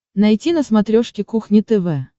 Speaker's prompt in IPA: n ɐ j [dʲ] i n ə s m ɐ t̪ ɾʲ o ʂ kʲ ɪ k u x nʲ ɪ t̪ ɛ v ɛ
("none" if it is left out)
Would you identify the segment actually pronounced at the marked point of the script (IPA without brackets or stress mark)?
tʲ